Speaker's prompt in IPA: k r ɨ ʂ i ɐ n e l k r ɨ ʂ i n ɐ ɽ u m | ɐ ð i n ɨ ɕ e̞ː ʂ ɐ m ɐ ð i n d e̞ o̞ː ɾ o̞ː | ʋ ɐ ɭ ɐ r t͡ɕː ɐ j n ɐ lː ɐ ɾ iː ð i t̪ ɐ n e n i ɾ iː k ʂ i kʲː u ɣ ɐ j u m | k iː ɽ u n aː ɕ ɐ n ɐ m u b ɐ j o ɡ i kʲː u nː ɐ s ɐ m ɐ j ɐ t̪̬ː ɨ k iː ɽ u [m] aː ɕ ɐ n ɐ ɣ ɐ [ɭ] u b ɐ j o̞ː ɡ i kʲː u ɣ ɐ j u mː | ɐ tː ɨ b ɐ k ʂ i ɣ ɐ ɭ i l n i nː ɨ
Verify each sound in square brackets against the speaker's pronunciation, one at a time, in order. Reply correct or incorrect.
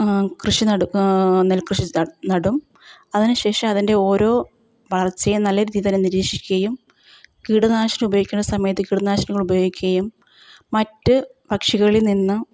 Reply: incorrect, correct

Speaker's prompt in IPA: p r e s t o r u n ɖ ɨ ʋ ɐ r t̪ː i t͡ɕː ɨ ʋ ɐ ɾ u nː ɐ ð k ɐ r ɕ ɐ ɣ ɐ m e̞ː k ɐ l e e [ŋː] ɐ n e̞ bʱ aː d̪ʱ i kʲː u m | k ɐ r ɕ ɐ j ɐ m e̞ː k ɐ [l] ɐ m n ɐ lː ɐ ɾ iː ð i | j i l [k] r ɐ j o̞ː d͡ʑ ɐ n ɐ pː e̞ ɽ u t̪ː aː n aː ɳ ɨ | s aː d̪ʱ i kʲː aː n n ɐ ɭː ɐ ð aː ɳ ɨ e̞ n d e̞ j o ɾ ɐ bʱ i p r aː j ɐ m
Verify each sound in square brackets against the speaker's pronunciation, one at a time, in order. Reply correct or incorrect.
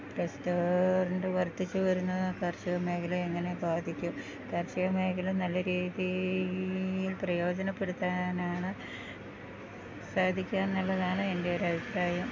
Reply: correct, correct, incorrect

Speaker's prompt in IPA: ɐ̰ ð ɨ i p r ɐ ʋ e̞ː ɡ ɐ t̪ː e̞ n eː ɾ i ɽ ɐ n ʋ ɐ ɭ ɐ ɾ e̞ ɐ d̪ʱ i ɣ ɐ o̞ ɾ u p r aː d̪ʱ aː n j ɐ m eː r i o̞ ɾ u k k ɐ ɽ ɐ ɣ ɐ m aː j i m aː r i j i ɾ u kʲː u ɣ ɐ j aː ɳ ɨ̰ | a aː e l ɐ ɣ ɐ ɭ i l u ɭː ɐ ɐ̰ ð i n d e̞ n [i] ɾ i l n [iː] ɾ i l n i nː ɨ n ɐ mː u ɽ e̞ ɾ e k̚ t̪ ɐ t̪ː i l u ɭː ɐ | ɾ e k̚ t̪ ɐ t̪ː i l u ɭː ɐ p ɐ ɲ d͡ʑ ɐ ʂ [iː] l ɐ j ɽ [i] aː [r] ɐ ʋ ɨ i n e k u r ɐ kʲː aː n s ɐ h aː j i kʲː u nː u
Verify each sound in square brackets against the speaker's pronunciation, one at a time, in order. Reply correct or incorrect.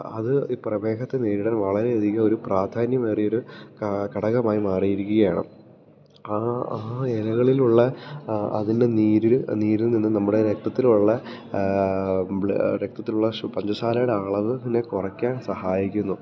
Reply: incorrect, correct, incorrect, incorrect, incorrect

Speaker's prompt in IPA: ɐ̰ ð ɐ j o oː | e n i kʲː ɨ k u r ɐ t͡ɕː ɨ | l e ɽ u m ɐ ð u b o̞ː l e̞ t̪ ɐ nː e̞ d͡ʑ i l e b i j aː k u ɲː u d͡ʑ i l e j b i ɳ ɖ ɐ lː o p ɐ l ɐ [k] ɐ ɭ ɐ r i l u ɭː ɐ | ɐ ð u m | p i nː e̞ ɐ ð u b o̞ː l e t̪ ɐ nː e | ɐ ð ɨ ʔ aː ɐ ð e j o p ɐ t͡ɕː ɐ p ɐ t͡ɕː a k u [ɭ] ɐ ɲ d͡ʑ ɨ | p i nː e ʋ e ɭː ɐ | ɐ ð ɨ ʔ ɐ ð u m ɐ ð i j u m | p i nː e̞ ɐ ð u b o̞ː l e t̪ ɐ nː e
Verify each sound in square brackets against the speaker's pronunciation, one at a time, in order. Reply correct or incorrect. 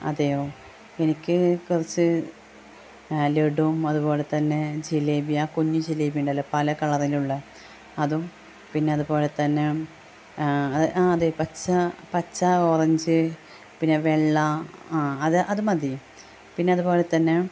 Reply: correct, incorrect

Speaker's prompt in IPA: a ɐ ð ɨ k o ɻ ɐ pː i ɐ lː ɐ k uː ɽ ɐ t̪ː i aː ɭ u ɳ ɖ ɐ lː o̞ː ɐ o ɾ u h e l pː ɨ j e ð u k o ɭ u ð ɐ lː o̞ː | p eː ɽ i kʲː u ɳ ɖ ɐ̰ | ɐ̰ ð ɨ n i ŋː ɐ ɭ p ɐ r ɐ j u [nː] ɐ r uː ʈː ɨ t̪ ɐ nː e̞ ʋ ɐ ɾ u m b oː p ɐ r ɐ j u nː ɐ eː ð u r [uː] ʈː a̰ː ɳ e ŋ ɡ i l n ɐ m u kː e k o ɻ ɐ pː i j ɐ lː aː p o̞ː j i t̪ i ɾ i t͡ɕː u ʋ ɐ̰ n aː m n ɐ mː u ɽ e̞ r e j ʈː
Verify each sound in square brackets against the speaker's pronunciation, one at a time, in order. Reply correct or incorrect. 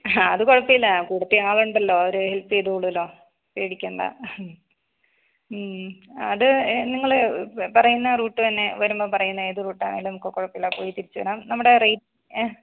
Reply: correct, correct

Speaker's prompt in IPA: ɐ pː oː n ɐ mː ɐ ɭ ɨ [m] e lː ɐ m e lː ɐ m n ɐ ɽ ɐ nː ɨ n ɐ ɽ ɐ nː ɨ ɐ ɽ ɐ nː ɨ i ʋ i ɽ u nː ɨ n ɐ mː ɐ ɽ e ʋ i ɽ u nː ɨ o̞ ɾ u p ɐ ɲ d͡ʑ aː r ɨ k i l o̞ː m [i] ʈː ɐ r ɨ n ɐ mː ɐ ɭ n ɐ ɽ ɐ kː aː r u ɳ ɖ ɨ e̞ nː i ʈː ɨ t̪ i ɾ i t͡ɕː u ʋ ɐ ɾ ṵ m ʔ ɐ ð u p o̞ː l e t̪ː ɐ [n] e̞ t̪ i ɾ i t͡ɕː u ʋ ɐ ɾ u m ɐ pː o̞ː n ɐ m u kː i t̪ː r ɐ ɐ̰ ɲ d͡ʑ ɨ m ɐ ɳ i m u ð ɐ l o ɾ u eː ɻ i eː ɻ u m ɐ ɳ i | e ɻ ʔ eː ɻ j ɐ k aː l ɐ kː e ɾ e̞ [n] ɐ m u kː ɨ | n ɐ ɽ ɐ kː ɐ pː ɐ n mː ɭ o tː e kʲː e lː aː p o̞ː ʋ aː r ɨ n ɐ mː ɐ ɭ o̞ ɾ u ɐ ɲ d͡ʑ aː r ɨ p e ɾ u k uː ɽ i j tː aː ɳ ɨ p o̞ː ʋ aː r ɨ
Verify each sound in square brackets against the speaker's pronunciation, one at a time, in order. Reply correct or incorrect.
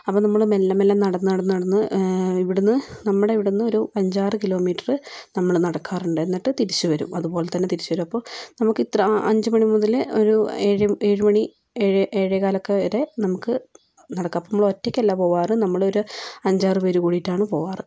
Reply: correct, incorrect, incorrect, correct

